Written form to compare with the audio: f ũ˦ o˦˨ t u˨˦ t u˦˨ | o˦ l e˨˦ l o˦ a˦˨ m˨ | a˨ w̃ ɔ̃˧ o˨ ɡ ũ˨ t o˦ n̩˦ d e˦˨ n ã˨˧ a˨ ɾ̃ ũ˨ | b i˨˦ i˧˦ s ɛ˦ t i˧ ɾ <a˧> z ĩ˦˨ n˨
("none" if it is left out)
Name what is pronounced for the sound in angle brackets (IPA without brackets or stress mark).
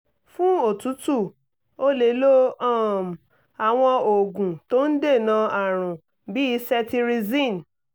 i˧